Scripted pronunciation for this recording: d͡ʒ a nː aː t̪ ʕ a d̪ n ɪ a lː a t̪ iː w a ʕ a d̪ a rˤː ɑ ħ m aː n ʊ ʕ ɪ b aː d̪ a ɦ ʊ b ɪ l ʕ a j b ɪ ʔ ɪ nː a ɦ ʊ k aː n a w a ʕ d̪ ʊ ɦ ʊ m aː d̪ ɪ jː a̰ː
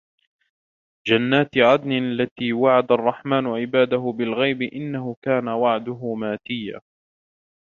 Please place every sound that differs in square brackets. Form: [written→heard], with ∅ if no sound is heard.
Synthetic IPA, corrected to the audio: d͡ʒ a nː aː t̪ ʕ a d̪ n ɪ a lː a t̪ iː w a ʕ a d̪ a rˤː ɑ ħ m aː n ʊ ʕ ɪ b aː d̪ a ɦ ʊ b ɪ l [ʕ→ɣ] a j b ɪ ʔ ɪ nː a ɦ ʊ k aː n a w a ʕ d̪ ʊ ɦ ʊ m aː [d̪→t̪] ɪ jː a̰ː